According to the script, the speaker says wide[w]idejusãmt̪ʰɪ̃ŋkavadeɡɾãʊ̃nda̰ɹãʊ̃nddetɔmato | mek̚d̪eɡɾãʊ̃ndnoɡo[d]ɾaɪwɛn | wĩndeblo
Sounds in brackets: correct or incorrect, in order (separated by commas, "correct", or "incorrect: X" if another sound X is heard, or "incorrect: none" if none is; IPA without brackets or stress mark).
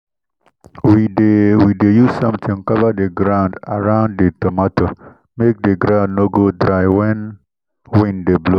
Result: correct, correct